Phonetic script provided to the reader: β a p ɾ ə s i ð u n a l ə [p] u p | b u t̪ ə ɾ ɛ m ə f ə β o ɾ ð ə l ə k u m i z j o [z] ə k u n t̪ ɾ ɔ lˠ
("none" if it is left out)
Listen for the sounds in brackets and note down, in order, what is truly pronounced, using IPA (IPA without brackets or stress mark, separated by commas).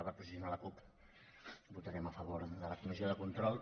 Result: k, ð